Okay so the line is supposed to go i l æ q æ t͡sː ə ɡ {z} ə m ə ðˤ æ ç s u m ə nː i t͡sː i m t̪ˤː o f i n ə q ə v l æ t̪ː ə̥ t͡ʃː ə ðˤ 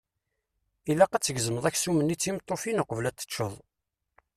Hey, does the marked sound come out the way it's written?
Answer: yes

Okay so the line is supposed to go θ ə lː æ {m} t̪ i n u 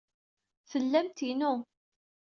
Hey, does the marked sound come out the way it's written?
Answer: yes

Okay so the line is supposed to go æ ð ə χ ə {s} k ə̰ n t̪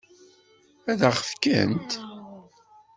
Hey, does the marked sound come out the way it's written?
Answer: no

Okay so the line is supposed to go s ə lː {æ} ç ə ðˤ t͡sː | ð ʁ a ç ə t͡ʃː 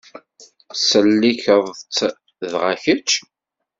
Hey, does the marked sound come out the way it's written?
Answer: no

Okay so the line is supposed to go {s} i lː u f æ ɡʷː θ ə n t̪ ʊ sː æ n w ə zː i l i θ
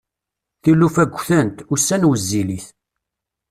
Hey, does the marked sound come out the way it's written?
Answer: no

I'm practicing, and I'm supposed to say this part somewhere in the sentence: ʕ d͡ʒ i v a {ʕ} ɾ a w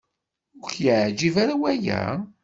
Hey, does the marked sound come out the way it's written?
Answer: no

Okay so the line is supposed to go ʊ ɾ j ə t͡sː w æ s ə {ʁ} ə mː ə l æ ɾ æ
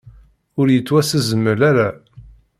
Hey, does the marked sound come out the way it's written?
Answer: no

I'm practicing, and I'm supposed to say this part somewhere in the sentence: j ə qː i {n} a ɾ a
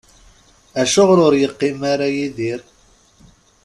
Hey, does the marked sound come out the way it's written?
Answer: no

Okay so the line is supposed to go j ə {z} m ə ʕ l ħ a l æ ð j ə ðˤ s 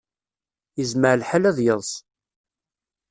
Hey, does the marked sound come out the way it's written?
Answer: yes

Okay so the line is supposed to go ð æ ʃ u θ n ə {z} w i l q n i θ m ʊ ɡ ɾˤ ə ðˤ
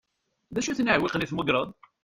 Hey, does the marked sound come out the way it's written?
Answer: no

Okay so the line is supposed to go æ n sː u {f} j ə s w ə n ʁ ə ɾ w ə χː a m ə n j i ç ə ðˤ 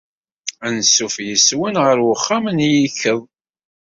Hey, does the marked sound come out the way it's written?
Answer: yes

